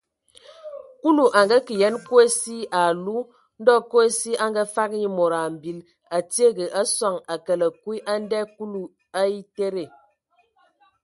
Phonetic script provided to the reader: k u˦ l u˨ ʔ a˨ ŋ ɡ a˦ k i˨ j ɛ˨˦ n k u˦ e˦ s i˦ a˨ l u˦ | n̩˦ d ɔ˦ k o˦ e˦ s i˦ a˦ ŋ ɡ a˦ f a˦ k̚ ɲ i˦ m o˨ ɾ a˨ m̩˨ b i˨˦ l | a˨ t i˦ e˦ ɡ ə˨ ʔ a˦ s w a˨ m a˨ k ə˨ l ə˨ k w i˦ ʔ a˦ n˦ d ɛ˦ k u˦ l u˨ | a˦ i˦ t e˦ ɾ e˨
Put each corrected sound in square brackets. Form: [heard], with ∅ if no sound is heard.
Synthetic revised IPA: k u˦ l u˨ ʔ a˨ ŋ ɡ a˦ k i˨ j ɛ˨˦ n k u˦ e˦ s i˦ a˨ l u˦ | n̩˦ d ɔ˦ k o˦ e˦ s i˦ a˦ ŋ ɡ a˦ f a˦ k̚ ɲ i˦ m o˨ ɾ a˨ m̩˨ b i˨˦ l | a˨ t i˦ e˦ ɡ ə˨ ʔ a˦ s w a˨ [ŋ] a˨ k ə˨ l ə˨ k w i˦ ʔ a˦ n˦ d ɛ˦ k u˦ l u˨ | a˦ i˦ t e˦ ɾ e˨

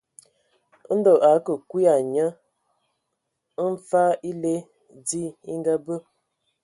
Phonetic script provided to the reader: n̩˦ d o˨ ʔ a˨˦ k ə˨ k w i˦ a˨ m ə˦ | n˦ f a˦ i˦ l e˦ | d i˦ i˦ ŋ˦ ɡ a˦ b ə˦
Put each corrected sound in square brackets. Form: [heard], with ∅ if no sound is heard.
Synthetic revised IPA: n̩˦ d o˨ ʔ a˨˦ k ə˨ k w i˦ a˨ [ɲ] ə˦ | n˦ f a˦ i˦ l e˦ | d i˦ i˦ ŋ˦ ɡ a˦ b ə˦

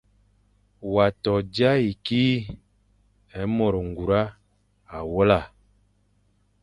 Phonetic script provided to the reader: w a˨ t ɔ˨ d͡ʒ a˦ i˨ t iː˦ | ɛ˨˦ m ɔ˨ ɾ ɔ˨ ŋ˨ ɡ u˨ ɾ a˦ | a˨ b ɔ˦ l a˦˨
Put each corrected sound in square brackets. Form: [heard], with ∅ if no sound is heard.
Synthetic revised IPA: w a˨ t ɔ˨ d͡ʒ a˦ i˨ [k] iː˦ | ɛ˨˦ m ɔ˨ ɾ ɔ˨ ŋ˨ ɡ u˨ ɾ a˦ | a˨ [w] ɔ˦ l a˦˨

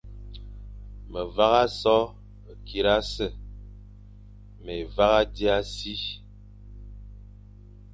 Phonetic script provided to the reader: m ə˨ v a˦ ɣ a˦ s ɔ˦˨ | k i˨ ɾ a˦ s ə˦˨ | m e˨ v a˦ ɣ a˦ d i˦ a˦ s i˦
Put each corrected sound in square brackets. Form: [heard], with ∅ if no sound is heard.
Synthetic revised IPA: m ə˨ v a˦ ɣ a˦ s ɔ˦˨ | k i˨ ɾ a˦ s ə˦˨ | m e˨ v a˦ ɣ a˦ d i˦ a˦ s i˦

